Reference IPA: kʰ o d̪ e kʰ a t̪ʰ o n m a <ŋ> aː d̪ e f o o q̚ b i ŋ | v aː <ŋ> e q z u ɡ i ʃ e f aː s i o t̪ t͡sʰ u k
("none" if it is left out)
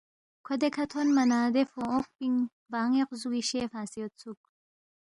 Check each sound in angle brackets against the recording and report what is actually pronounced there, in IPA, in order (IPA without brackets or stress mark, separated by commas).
n, ŋ